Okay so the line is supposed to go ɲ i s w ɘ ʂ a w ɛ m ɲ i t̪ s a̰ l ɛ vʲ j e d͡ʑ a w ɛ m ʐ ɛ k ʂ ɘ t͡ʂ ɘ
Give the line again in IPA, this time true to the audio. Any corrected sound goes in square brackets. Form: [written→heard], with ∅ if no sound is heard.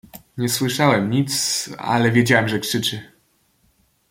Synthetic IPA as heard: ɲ [i→ɛ] s w ɘ ʂ a w ɛ m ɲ i t̪ s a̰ l ɛ vʲ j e d͡ʑ a w ɛ m ʐ ɛ k ʂ ɘ t͡ʂ ɘ